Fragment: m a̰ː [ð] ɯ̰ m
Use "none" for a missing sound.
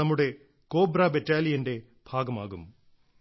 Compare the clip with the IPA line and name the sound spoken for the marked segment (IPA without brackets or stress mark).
ɣ